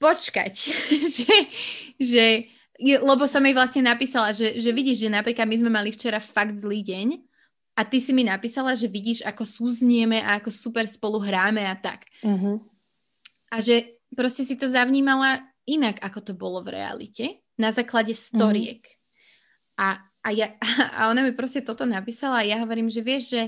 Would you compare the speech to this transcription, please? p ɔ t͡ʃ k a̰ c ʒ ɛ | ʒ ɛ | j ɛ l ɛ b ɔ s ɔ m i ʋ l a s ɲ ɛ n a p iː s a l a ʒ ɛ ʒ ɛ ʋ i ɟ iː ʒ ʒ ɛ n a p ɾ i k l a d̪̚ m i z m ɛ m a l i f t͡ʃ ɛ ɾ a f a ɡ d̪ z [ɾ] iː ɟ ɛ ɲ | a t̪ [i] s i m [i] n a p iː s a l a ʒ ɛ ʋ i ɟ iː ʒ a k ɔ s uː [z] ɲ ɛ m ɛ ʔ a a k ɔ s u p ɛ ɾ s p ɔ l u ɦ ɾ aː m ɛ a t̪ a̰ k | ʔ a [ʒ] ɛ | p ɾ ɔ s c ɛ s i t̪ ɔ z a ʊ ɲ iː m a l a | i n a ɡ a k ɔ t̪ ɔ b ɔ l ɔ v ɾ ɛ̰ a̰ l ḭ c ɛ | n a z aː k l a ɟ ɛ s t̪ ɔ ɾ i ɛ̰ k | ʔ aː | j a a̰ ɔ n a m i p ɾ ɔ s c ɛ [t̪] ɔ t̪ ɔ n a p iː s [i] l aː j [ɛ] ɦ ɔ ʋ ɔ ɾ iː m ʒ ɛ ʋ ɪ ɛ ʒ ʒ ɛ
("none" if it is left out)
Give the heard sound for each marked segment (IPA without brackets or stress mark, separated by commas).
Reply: l, i, i, z, ʒ, t̪, a, a